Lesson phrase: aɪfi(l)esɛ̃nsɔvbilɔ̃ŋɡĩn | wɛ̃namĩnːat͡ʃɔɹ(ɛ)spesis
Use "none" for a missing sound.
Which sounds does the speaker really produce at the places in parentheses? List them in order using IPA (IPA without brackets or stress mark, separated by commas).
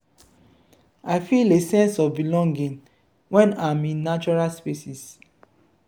l, a